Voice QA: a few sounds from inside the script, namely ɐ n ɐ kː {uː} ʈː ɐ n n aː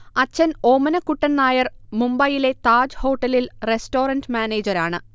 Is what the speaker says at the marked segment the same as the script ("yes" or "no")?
no